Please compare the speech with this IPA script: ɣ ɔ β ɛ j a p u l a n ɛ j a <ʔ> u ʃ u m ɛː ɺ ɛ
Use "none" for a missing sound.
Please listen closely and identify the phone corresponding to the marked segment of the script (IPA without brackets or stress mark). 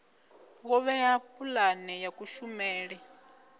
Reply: k